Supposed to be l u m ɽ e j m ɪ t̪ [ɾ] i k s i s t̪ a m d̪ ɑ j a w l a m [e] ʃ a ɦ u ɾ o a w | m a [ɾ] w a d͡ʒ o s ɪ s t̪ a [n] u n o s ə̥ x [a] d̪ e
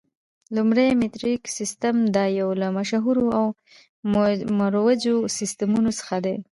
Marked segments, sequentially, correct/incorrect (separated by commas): correct, incorrect, correct, incorrect, correct